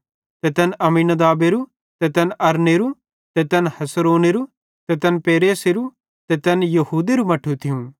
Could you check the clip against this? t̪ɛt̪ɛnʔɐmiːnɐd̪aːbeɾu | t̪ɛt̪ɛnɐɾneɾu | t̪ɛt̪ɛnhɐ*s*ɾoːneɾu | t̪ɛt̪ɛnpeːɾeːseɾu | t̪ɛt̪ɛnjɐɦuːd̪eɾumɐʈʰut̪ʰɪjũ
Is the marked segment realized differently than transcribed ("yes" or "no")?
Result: no